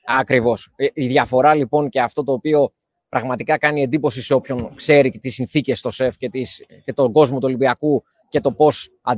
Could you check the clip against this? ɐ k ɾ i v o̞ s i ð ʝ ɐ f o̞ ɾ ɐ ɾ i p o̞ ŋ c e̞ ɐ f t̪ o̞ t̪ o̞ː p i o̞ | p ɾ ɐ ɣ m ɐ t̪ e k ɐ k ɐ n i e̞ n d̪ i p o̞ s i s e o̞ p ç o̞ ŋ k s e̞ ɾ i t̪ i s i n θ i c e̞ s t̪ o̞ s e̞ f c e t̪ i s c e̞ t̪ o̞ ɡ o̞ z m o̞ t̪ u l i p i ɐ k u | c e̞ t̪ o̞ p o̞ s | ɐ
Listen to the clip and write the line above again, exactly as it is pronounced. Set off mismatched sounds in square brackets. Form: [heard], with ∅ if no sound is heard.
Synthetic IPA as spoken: ɐ k ɾ i v o̞ s i ð ʝ ɐ f o̞ ɾ ɐ [l] i p o̞ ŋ c e̞ ɐ f t̪ o̞ t̪ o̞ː p i o̞ | p ɾ ɐ ɣ m ɐ t̪ [i] k ɐ k ɐ n i e̞ n d̪ i p o̞ s i s e o̞ p ç o̞ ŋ k s e̞ ɾ i t̪ i s i n θ i c e̞ s t̪ o̞ s e̞ f c e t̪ i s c e̞ t̪ o̞ ɡ o̞ z m o̞ t̪ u l i [b] i ɐ k u | c e̞ t̪ o̞ p o̞ s | ɐ